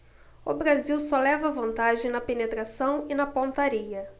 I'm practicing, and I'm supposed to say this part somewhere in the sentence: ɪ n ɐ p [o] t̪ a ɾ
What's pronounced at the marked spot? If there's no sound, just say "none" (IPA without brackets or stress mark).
õ